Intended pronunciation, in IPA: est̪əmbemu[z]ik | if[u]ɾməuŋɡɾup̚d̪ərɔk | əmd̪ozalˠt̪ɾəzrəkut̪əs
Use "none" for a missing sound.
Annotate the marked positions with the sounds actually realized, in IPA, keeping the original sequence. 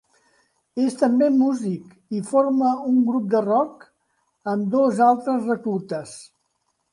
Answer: z, o

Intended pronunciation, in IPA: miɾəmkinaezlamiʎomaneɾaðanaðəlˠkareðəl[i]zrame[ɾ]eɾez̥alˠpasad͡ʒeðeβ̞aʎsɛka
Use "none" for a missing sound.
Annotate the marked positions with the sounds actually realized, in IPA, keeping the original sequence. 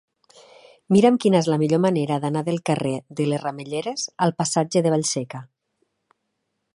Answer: e, ʎ

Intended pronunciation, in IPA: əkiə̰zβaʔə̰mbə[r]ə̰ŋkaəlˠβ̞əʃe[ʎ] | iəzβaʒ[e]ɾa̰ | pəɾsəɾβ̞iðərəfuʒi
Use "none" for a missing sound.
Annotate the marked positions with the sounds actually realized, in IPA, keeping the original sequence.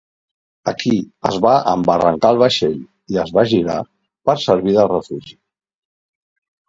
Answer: r, ʎ, i

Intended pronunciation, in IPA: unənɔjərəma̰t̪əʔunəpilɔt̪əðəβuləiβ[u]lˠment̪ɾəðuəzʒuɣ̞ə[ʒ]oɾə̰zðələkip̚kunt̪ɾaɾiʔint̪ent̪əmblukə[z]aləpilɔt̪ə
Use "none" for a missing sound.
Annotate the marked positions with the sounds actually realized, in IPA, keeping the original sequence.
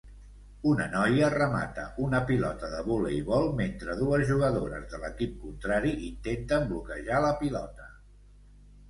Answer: ɔ, ð, ʒ

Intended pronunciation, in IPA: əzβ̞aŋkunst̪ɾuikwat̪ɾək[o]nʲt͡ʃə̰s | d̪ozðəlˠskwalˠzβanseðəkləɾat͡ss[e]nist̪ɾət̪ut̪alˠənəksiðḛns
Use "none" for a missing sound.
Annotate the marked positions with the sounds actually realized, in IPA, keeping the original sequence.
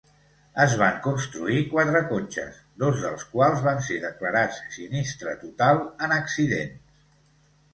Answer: o, i

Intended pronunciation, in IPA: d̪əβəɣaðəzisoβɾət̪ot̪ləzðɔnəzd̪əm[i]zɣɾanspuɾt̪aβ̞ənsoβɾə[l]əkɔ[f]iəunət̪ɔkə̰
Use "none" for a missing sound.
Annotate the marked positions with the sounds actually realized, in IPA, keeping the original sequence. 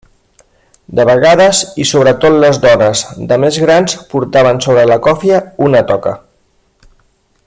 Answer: e, l, f

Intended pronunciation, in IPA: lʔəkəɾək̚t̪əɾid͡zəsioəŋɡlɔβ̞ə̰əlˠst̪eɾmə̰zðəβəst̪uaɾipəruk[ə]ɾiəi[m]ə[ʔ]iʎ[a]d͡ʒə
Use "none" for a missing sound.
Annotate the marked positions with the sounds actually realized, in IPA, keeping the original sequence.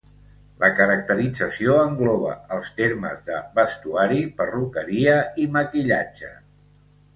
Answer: ə, m, k, a

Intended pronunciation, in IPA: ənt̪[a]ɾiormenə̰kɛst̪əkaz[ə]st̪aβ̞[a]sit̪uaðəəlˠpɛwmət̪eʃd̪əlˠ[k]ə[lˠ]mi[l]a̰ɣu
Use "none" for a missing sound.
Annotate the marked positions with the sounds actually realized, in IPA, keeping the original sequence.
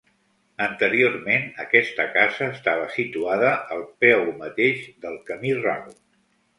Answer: ə, əː, ə, k, none, r

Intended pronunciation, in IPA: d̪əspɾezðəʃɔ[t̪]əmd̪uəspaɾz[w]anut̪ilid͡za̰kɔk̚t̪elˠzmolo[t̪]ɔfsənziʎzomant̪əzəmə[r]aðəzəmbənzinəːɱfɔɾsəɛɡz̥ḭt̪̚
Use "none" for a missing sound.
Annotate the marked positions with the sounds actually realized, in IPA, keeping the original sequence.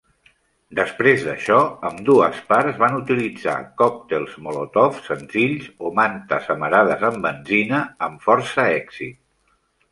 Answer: none, β, t̪, ɾ

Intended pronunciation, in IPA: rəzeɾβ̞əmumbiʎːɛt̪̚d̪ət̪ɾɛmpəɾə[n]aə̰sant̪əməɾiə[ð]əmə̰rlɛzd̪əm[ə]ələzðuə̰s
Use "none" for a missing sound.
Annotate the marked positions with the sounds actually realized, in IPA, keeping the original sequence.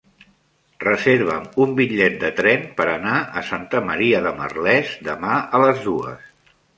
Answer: n, ð, a

